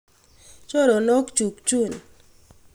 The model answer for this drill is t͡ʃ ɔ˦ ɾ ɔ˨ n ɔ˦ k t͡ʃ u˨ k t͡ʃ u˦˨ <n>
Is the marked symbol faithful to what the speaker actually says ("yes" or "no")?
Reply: yes